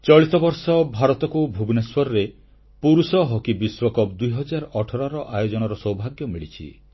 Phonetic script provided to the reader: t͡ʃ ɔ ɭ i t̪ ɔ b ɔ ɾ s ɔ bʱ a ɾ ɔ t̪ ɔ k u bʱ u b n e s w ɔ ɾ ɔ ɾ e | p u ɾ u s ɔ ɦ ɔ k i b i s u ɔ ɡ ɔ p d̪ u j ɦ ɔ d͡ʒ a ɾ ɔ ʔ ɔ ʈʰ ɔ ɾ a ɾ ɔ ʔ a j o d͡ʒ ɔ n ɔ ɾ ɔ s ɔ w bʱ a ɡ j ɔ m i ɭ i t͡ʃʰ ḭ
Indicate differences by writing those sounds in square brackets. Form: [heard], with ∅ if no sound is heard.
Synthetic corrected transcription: t͡ʃ ɔ ɭ i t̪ ɔ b ɔ ɾ s ɔ bʱ a ɾ ɔ t̪ ɔ k u bʱ u b n e s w ɔ ɾ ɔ ɾ e | p u ɾ u s ɔ ɦ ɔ k i b i s [w] ɔ [k] ɔ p d̪ u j ɦ ɔ d͡ʒ a ɾ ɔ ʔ ɔ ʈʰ ɔ ɾ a ɾ ɔ ʔ a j o d͡ʒ ɔ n ɔ ɾ ɔ s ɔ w bʱ a ɡ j ɔ m i ɭ i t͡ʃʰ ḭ